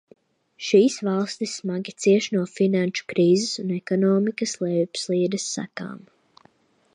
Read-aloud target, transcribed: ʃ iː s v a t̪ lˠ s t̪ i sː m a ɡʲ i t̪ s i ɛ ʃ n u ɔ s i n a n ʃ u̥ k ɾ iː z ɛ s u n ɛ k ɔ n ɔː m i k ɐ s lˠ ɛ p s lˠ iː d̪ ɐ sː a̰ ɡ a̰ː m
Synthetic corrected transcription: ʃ iː s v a lˠ s t̪ i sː m a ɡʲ i t̪ s i ɛ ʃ n u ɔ f i n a n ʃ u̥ k ɾ iː z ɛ s u n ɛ k ɔ n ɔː m i k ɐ s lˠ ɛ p s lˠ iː d̪ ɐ sː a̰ k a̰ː m